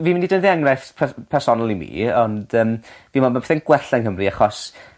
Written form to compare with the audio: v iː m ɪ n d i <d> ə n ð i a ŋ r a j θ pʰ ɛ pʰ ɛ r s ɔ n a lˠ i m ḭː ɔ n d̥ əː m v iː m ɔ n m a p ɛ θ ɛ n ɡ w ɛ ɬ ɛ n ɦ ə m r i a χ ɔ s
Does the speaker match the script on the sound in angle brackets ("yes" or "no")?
yes